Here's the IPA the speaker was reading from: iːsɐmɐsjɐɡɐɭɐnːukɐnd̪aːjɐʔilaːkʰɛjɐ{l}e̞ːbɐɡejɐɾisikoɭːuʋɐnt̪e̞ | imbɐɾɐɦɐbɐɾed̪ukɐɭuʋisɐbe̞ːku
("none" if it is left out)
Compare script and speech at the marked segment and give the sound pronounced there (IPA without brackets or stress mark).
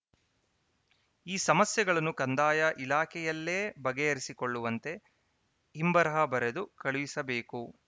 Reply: lː